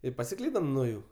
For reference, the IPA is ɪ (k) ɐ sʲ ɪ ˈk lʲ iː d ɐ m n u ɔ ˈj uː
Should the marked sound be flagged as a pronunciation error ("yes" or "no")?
yes